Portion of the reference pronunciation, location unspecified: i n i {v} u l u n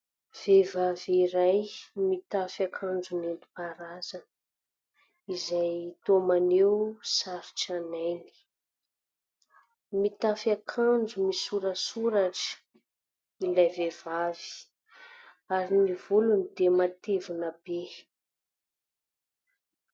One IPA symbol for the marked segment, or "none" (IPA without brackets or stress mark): v